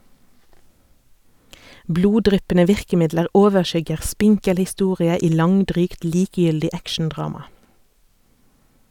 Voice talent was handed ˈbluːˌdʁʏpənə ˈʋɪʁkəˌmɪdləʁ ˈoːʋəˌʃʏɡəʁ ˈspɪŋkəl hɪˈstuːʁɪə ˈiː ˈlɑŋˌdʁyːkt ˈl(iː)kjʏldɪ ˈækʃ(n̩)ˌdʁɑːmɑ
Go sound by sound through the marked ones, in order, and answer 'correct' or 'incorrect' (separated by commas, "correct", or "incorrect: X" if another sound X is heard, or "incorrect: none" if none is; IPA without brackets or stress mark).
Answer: correct, correct